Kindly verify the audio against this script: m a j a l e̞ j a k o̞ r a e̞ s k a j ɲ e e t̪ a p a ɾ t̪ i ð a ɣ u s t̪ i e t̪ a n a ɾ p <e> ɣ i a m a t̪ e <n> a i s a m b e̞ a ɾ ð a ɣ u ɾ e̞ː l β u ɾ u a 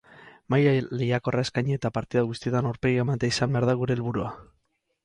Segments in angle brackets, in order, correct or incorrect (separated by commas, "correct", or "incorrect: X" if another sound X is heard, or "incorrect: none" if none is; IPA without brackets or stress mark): correct, incorrect: none